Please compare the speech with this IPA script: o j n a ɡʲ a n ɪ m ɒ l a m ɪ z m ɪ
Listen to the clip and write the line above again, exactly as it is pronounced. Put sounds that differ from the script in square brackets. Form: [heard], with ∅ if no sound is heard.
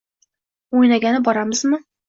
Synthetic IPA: o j n a ɡʲ a n ɪ [b] ɒ [ɾ] a m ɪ z m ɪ